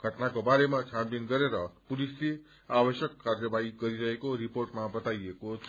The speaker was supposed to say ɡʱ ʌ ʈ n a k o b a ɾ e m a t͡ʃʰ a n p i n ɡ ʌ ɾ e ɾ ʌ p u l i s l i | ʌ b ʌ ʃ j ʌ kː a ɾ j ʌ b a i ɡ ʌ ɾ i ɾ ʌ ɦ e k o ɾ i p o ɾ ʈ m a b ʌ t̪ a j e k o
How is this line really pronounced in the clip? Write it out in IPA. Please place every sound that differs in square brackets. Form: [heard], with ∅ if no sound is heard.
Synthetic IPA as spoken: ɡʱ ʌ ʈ n a k o b a ɾ e m a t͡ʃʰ a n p i n ɡ ʌ ɾ e ɾ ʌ p u l i s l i | [a] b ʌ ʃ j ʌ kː a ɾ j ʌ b a i ɡ ʌ ɾ i ɾ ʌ ɦ e k o ɾ i p o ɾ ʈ m a b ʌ t̪ a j e k o